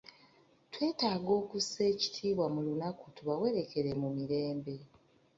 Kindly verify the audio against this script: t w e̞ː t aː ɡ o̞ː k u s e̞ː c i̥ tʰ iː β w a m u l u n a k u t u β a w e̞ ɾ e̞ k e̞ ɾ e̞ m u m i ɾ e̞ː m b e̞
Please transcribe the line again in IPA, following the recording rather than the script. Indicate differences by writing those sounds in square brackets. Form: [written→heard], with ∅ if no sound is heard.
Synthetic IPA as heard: t w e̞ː t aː ɡ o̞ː k u s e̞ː c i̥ tʰ iː β w a m u l u n a k u t u β a w e̞ ɾ e̞ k e̞ ɾ e̞ m u m i ɾ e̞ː m b e̞